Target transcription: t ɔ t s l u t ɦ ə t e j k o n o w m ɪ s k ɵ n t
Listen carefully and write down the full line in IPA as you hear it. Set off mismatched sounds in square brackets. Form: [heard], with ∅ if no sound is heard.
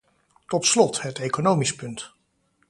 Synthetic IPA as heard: t ɔ t s l [ɔ] t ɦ ə t e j k o n o w m [i] s [p] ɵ n t